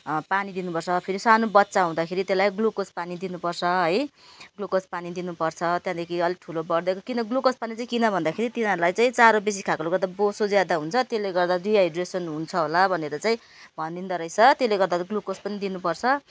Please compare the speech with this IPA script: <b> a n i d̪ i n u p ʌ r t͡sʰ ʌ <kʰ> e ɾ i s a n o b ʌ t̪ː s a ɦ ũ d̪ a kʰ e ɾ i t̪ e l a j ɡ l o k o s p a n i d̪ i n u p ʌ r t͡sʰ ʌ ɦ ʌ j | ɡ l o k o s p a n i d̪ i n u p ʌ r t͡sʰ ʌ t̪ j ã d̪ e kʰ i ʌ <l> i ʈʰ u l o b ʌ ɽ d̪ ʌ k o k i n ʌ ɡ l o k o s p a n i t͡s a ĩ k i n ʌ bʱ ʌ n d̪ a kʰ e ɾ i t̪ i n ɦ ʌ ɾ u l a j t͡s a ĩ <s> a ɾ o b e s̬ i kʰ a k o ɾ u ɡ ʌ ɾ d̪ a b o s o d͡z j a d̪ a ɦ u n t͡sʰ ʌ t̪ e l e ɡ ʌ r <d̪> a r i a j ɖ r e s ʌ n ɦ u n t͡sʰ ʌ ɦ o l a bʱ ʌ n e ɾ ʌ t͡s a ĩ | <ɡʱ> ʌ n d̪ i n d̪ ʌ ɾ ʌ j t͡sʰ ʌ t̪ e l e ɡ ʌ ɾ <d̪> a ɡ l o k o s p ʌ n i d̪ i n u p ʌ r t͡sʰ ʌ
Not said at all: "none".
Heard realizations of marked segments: p, pʰ, l, t͡s, d̪, bʱ, d̪

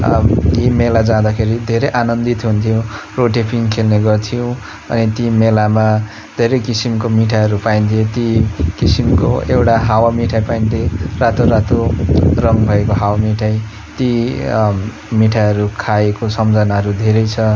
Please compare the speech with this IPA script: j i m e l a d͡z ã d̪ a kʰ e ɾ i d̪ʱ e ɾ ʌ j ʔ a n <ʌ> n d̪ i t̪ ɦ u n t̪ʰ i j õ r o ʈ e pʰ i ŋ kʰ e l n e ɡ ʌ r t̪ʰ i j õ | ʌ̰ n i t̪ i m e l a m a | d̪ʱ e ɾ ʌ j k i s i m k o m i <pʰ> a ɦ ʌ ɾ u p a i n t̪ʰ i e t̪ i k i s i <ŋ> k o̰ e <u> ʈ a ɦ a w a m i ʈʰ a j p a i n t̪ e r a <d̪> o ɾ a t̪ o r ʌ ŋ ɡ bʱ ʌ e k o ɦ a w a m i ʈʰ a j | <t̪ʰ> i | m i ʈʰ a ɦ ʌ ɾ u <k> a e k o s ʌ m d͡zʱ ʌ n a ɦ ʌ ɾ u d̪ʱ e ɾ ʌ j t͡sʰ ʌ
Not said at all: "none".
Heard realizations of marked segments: ʌ, ʈʰ, m, w, t̪, t̪, kʰ

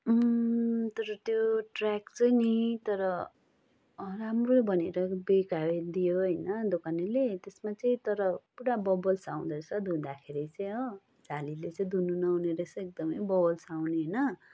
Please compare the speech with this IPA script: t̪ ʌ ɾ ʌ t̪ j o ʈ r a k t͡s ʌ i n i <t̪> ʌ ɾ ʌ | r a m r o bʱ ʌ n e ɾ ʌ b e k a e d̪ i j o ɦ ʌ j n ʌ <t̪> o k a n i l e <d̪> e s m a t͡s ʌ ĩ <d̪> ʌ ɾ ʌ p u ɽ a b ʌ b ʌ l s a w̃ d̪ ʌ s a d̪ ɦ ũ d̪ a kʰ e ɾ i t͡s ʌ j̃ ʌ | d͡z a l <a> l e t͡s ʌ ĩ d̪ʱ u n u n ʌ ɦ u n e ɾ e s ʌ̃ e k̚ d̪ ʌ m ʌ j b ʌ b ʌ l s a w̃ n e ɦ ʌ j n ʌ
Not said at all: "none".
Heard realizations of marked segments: t̪, d̪, t̪, t̪, i

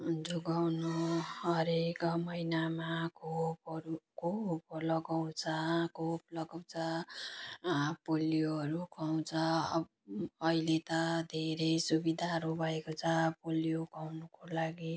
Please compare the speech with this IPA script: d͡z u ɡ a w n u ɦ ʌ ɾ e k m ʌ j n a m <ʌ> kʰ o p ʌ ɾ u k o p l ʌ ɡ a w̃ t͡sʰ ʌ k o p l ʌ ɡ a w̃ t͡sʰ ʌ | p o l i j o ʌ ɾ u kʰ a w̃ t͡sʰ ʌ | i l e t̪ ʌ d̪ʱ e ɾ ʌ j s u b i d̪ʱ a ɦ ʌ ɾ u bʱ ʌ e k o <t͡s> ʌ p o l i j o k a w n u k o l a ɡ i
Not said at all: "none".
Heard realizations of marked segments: a, t͡sʰ

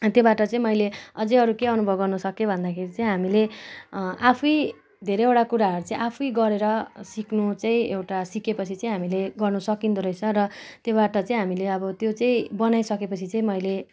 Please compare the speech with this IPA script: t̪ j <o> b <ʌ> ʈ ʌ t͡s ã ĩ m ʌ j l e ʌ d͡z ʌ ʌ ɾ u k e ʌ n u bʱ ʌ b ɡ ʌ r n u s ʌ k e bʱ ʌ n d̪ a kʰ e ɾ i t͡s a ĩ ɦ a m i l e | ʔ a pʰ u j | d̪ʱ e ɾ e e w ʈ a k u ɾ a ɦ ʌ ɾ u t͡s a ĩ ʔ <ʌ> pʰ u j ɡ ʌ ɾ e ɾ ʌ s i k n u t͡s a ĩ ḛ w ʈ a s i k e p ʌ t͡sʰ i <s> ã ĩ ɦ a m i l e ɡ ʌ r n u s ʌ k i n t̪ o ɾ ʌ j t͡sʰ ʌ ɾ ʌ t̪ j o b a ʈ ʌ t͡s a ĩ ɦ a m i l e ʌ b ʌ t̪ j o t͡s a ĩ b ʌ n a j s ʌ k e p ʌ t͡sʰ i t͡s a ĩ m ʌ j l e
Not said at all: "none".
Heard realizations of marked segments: o, a, a, t͡s

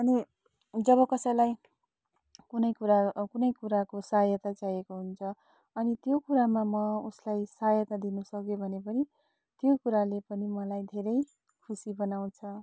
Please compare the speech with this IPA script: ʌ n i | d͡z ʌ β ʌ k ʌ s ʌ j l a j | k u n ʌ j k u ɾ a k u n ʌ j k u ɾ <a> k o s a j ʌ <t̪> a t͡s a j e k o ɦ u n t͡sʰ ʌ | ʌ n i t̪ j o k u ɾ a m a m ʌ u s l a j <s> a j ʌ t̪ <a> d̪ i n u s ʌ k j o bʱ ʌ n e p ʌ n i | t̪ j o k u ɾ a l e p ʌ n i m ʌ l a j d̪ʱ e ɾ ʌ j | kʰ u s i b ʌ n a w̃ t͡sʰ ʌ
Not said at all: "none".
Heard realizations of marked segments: a, t̪, s, a

